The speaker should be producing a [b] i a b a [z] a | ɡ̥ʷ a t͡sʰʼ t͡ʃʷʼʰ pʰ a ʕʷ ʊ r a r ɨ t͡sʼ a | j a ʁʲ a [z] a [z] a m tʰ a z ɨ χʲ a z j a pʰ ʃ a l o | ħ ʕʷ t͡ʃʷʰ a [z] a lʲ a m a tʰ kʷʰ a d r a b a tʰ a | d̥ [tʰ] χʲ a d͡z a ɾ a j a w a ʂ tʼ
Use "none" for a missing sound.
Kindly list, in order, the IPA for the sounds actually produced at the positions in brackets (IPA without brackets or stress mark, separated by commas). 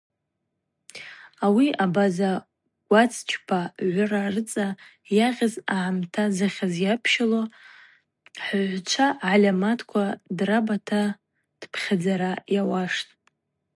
w, z, z, ʕ, ʕ, pʰ